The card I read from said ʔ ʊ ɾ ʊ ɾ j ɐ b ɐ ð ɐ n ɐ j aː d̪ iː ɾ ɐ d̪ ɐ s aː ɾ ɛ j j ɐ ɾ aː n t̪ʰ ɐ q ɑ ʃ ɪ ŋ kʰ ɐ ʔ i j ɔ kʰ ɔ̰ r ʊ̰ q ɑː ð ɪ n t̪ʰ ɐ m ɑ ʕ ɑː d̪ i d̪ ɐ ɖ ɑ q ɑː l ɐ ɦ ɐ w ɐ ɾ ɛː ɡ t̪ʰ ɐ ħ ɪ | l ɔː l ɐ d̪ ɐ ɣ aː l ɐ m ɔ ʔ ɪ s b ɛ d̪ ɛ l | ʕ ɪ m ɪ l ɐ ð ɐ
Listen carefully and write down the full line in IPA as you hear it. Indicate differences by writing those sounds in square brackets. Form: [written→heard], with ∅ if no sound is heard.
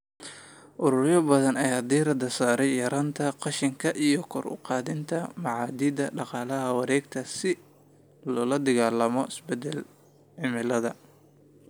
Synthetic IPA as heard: ʔ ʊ ɾ ʊ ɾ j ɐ b ɐ ð ɐ n ɐ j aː d̪ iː ɾ ɐ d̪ ɐ s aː ɾ ɛ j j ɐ ɾ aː n t̪ʰ ɐ q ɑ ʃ ɪ ŋ kʰ ɐ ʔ i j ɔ kʰ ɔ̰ r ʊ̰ q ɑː ð ɪ n t̪ʰ ɐ m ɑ ʕ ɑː d̪ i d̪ ɐ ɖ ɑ q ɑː l ɐ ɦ ɐ w [ɐ→ɑ] ɾ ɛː ɡ t̪ʰ ɐ [ħ→s] ɪ | l ɔː l ɐ d̪ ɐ ɣ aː l ɐ m ɔ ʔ ɪ s b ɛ d̪ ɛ l | ʕ ɪ m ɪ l ɐ ð ɐ

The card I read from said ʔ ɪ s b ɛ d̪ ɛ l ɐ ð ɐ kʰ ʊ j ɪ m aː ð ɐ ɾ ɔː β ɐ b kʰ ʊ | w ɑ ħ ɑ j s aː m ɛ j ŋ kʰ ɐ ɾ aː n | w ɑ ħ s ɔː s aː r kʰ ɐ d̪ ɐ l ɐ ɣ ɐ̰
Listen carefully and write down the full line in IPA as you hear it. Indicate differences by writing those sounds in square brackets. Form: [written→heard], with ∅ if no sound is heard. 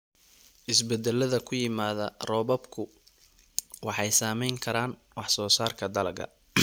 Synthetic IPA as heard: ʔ ɪ s b ɛ d̪ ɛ l ɐ ð ɐ kʰ ʊ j ɪ m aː ð ɐ [ɾ→r] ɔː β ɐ b kʰ ʊ | w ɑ ħ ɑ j s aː m ɛ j ŋ kʰ ɐ ɾ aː n | w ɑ ħ s ɔː s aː r kʰ ɐ d̪ ɐ l ɐ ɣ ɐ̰

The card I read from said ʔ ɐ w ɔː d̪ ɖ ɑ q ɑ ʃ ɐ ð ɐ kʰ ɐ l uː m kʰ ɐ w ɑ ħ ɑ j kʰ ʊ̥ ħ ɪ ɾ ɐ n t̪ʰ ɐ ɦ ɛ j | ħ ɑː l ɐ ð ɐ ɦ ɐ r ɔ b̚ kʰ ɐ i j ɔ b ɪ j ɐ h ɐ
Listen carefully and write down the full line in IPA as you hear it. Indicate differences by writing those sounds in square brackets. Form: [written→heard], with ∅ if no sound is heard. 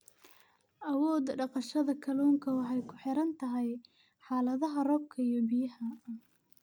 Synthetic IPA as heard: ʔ ɐ w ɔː d̪ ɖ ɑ q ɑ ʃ ɐ ð ɐ kʰ ɐ l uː [m→ŋ] kʰ ɐ w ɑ ħ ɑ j kʰ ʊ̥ ħ ɪ ɾ ɐ n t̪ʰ ɐ ɦ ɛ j | ħ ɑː l ɐ ð ɐ ɦ ɐ r ɔ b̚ kʰ ɐ i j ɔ b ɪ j ɐ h ɐ

